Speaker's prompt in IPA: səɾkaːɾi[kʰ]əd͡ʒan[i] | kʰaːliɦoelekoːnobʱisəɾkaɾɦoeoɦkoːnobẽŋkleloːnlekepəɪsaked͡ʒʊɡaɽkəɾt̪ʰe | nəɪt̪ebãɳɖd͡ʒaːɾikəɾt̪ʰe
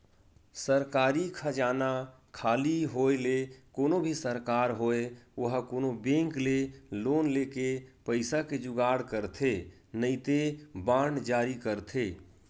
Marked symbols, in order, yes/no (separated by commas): yes, no